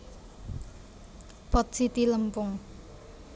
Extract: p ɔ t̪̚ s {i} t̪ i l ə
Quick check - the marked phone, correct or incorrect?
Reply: correct